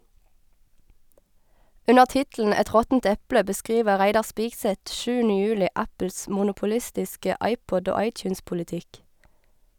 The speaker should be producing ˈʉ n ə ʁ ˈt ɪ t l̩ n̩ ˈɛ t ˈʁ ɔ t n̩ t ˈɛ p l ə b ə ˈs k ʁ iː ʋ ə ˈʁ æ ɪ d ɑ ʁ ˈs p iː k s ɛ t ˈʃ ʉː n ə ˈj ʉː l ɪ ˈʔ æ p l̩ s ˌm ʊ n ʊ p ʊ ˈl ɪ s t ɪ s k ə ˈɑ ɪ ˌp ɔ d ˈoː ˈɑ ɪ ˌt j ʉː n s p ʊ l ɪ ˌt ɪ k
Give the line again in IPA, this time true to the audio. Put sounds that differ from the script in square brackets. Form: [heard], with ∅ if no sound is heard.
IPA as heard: ˈʉ n ə ʁ ˈt ɪ t l̩ n̩ ˈɛ t ˈʁ ɔ t n̩ t ˈɛ p l ə b ə ˈs k ʁ iː ʋ ə ˈʁ æ ɪ d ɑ ʁ ˈs p iː [ɡ] s ɛ t ˈʃ ʉː n ə ˈj ʉː l ɪ ˈʔ æ p l̩ s ˌm ʊ n ʊ p ʊ ˈl ɪ s t ɪ s k ə ˈɑ ɪ ˌp ɔ d ˈoː ˈɑ ɪ ˌt j ʉː n s p ʊ l ɪ ˌt ɪ k